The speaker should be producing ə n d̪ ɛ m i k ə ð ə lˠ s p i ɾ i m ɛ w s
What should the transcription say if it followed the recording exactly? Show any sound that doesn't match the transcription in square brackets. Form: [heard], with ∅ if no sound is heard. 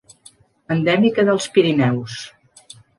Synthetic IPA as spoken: ə n d̪ ɛ m i k ə ð ə lˠ s p i ɾ i [n] ɛ w s